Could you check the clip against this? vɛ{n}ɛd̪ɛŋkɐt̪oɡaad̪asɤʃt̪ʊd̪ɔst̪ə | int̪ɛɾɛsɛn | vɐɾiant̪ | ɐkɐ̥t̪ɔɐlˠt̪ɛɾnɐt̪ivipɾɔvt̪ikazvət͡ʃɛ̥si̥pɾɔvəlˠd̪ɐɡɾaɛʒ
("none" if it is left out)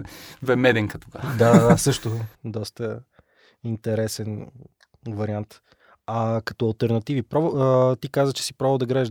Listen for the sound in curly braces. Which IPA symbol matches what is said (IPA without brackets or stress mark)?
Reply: m